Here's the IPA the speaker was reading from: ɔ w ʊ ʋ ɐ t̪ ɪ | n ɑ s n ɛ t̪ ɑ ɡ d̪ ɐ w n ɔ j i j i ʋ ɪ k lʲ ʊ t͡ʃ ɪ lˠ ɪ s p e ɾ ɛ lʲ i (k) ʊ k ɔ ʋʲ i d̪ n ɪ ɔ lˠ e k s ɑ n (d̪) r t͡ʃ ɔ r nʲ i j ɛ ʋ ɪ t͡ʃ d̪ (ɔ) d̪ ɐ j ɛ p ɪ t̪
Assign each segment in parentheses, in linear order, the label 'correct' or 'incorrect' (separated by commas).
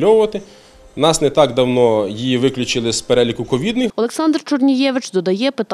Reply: correct, correct, correct